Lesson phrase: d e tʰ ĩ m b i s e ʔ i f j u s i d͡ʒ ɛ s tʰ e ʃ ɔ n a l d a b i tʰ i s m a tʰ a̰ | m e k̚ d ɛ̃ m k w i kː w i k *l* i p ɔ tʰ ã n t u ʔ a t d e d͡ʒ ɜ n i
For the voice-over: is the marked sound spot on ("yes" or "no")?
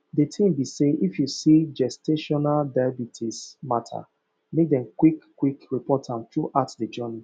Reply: no